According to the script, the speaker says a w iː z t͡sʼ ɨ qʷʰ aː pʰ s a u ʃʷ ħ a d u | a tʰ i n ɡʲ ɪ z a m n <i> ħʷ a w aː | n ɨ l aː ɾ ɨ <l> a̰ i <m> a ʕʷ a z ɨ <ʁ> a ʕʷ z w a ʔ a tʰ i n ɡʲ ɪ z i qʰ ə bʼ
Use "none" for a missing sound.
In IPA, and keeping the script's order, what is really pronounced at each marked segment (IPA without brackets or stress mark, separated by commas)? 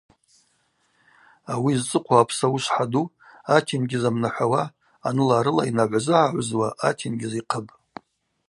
a, l, n, ʕ